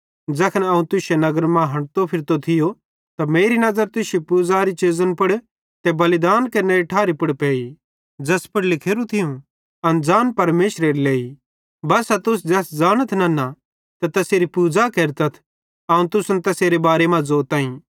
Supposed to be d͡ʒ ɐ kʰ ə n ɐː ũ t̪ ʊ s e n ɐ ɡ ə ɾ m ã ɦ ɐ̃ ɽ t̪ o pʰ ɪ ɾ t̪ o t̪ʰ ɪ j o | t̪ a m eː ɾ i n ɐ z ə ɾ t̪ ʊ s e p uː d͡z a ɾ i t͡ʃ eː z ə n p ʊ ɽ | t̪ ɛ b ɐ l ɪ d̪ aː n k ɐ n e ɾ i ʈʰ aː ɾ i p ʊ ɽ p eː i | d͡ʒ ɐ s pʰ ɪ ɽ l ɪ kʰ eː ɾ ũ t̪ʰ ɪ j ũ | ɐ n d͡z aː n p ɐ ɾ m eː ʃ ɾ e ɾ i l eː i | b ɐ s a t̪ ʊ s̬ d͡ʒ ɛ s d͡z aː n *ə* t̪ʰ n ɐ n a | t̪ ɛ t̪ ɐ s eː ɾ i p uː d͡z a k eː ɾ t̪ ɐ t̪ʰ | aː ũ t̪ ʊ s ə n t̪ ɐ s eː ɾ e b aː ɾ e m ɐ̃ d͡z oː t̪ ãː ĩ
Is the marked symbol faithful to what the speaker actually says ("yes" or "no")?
yes